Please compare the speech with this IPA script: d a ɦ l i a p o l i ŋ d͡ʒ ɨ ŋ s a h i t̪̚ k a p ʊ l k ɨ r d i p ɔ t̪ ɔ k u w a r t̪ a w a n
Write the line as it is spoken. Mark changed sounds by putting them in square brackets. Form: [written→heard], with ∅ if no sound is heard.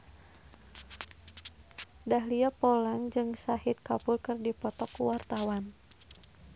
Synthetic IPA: d a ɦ l i a p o l [i→a] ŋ d͡ʒ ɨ ŋ s a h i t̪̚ k a p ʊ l k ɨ r d i p ɔ t̪ ɔ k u w a r t̪ a w a n